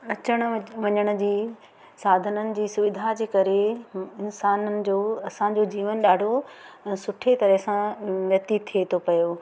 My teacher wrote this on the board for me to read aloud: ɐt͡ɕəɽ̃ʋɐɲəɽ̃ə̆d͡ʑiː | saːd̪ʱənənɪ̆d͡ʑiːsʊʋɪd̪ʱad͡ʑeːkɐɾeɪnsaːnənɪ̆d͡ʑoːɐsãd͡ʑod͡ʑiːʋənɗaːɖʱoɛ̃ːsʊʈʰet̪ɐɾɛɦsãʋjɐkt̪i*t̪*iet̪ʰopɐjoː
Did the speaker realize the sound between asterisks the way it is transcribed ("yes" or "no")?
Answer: no